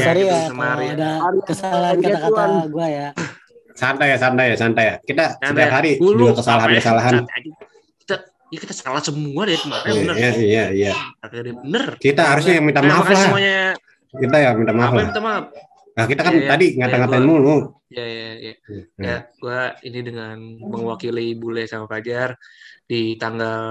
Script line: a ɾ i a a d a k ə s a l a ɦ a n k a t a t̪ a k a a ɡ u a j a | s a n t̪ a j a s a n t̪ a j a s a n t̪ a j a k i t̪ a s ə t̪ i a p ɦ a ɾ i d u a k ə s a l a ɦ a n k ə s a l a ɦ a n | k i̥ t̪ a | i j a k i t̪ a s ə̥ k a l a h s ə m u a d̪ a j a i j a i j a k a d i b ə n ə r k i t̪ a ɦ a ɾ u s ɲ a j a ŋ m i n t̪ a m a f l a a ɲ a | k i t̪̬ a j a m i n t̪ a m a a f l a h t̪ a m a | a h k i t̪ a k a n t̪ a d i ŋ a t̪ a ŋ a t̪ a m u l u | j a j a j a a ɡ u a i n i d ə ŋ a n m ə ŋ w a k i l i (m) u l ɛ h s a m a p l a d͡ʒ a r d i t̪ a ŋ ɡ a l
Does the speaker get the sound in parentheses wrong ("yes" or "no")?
yes